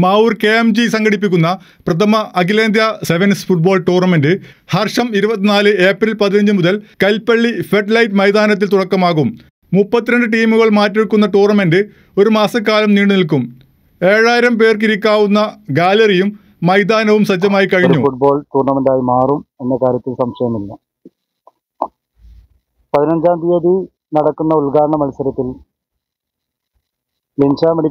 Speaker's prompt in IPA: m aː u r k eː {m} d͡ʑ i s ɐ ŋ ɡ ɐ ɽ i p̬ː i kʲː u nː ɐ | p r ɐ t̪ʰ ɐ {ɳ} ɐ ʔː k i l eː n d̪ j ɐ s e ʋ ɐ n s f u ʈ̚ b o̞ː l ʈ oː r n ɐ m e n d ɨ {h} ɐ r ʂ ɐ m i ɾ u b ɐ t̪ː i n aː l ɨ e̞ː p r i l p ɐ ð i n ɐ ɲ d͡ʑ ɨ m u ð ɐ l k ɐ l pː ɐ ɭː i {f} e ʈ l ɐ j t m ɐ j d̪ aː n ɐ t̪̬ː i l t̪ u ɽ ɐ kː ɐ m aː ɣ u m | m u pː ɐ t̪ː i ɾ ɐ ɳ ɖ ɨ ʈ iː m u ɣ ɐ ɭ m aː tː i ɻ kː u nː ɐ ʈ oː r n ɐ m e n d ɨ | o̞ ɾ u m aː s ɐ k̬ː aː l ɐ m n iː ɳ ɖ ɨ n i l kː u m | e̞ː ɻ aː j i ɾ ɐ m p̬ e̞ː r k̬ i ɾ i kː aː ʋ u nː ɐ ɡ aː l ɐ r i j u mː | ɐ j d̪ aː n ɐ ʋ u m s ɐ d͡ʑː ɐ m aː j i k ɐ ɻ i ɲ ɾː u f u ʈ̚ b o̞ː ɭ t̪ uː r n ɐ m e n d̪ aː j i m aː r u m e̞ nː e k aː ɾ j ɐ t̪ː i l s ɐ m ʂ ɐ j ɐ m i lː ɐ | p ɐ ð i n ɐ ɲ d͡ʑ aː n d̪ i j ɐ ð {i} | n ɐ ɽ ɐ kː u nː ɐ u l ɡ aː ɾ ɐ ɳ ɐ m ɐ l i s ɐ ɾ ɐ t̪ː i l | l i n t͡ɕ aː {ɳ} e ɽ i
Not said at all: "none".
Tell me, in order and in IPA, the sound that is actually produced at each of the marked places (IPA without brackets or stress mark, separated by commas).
m, m, h, f, i, m